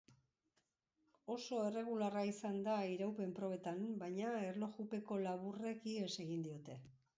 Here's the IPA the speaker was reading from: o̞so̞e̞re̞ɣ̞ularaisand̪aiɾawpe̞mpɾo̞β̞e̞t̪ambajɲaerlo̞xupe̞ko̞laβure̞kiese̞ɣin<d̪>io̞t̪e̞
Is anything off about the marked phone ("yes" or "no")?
no